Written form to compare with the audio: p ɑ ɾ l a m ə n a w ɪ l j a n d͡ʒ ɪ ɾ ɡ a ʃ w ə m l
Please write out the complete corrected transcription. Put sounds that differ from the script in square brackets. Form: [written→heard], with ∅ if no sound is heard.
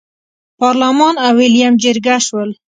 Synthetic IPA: p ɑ ɾ l a m [ə→ɑ] n a w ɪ l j a [n→m] d͡ʒ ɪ ɾ ɡ a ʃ w ə [m→∅] l